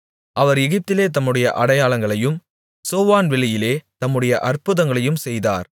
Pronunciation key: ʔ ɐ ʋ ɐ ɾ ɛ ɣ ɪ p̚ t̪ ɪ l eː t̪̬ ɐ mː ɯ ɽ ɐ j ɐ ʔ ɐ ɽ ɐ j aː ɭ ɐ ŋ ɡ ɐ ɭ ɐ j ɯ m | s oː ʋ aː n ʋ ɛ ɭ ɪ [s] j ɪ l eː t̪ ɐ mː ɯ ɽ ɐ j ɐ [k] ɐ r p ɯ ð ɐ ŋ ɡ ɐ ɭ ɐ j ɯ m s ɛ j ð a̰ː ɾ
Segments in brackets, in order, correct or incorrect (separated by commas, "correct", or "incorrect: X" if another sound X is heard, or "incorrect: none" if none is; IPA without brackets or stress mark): incorrect: none, incorrect: ʔ